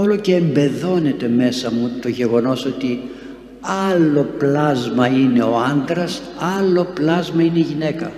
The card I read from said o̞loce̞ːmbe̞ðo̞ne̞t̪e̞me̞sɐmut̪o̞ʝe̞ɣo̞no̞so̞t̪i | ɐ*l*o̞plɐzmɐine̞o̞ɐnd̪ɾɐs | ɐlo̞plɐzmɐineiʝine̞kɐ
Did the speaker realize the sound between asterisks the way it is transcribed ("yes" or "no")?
yes